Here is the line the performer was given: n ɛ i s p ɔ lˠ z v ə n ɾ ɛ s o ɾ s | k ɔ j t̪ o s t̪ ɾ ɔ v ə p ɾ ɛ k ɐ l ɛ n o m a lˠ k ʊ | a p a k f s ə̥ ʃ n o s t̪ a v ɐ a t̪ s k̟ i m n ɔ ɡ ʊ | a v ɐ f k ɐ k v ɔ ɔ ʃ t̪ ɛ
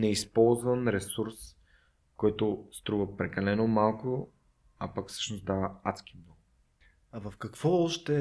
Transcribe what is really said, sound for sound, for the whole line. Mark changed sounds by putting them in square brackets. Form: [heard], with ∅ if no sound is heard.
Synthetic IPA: n ɛ i s p ɔ lˠ z v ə n ɾ ɛ s [u] ɾ s | k ɔ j t̪ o s t̪ ɾ [u] v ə p ɾ ɛ k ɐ l ɛ n o m a lˠ k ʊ | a p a k f s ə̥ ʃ n o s [d̪] a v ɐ a t̪ s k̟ i m n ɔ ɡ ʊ | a v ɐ f k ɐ k v ɔ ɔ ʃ t̪ ɛ